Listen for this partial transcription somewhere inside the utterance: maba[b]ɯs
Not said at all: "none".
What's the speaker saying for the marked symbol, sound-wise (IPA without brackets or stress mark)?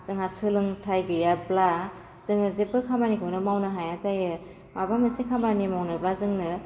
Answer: m